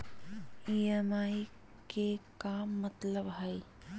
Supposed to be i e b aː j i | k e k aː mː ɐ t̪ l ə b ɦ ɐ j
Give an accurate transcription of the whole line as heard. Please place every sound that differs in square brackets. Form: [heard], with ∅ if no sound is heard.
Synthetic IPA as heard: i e [m] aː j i | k e k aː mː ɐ t̪ l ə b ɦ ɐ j